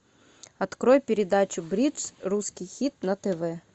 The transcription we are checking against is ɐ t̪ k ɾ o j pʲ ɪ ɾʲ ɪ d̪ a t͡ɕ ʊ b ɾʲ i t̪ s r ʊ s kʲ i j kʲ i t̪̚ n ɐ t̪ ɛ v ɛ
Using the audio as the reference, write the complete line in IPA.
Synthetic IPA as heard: ɐ t̪ k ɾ o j pʲ ɪ ɾʲ ɪ d̪ a t͡ɕ ʊ b ɾʲ i t̪ s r u s kʲ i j xʲ i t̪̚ n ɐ t̪ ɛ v ɛ